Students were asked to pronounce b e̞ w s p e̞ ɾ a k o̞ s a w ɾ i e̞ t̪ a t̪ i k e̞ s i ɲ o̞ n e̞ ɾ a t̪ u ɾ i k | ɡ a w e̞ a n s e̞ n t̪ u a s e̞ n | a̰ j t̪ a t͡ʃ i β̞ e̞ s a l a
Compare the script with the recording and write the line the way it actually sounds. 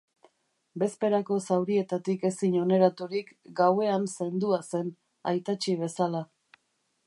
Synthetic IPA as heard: b e̞ s p e̞ ɾ a k o̞ s a w ɾ i e̞ t̪ a t̪ i k e̞ s i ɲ o̞ n e̞ ɾ a t̪ u ɾ i k | ɡ a w e̞ a n s e̞ n d̪ u a s e̞ n | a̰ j t̪ a t͡ʃ i β̞ e̞ s a l a